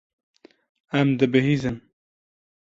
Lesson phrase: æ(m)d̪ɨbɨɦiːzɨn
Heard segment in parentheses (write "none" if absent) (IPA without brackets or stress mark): m